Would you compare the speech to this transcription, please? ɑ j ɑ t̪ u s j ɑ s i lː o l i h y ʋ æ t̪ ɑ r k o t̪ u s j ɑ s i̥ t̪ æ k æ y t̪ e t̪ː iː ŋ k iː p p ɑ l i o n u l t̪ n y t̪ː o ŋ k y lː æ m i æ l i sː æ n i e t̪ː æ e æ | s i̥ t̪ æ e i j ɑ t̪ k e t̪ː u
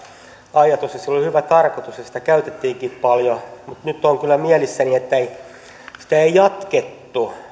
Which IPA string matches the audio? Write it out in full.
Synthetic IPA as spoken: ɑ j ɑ t̪ u s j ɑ s i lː o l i h y ʋ æ t̪ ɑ r k o t̪ u s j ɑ s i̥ t̪ æ k æ y t̪ e t̪ː iː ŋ k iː p p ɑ l j o m u t̪ n y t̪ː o ŋ k y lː æ m i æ l i sː æ n i e t̪ː æ e i | s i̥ t̪ æ e i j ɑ t̪ k e t̪ː u